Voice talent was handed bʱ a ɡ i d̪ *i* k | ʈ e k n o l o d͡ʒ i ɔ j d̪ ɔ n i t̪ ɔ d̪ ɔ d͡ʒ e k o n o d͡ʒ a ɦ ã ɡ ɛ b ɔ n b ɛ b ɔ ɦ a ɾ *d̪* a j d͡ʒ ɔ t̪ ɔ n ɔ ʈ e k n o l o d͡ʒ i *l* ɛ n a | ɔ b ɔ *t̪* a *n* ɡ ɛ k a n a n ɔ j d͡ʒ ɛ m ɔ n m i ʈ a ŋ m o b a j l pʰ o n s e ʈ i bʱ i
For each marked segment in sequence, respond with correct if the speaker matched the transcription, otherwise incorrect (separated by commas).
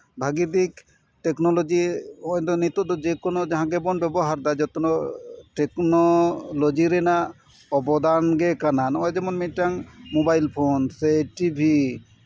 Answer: correct, correct, incorrect, incorrect, correct